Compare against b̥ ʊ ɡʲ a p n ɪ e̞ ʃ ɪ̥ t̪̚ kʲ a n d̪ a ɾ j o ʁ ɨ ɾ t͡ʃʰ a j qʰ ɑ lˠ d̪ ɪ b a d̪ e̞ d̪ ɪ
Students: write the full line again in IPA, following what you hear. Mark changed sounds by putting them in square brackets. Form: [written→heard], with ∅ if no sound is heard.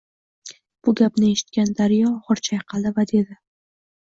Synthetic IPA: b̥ ʊ ɡʲ a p n ɪ e̞ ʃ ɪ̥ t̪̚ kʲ a n d̪ a ɾ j [o→ɒ] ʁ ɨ ɾ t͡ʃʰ a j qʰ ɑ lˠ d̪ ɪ [b→v] a d̪ e̞ d̪ ɪ